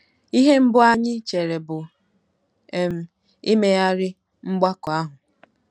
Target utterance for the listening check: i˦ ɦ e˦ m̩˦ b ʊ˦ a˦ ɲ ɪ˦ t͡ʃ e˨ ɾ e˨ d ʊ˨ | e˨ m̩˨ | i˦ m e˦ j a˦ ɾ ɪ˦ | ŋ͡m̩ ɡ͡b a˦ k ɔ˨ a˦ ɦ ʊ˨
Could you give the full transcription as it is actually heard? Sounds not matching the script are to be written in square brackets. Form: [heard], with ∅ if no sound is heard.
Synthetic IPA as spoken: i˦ ɦ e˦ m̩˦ b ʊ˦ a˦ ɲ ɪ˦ t͡ʃ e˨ ɾ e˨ [b] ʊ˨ | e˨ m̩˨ | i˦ m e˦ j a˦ ɾ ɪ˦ | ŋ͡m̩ ɡ͡b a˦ k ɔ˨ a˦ ɦ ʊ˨